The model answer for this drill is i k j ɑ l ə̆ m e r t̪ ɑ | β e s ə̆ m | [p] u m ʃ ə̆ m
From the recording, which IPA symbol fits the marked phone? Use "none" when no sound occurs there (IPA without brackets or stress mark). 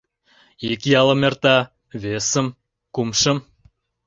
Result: k